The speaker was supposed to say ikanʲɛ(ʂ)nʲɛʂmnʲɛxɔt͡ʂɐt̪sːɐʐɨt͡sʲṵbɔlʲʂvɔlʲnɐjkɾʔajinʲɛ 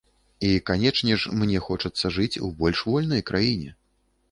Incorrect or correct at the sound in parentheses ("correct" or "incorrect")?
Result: incorrect